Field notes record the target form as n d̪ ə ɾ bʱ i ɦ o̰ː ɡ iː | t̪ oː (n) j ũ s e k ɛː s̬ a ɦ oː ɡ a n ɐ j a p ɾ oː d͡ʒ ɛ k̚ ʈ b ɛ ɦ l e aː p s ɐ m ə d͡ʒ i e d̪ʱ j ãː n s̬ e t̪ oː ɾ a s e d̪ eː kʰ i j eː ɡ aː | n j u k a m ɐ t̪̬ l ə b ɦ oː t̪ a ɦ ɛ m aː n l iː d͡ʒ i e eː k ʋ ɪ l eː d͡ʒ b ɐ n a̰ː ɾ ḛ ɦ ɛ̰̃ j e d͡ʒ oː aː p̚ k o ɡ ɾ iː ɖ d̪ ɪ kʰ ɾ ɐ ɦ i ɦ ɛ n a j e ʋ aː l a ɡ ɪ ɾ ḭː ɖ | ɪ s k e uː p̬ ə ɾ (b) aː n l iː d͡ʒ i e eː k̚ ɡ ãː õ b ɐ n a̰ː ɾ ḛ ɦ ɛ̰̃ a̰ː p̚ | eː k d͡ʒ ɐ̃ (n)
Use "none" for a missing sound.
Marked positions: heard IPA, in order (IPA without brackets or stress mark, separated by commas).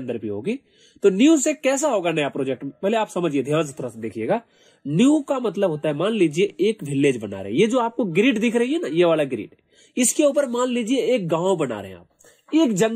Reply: n, m, ŋ